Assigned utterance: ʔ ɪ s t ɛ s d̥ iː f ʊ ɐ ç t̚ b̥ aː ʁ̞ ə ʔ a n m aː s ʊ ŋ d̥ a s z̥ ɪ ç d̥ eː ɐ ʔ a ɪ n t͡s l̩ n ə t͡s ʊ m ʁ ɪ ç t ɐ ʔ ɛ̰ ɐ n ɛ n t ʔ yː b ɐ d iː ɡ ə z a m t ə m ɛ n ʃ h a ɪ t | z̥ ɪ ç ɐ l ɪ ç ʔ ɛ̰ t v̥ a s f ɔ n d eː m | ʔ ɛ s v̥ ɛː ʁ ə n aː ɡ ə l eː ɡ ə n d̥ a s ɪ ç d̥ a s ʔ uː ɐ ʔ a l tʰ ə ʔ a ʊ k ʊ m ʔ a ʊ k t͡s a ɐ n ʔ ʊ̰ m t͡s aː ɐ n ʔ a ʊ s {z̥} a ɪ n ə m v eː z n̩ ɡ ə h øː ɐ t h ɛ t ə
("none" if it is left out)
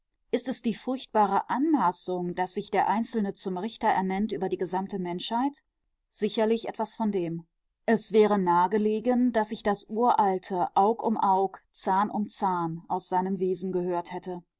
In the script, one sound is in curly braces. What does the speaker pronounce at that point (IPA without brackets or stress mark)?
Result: z̥